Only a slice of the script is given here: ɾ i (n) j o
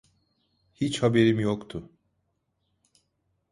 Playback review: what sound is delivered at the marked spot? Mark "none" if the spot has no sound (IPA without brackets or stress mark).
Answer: m